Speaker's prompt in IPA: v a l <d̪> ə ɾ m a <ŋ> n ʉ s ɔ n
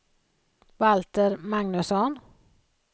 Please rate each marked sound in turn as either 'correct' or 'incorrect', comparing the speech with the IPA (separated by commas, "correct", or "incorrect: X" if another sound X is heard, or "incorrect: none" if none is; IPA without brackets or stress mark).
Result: incorrect: t̪, correct